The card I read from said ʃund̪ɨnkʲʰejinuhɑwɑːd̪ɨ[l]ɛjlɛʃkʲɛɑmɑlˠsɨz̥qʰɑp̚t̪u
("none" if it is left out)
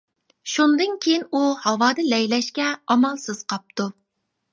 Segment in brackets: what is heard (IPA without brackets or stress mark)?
l